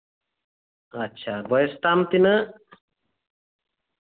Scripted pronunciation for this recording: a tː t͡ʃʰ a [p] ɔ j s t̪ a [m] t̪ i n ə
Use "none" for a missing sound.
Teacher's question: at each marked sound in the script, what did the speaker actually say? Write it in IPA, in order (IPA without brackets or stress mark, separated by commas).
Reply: b, m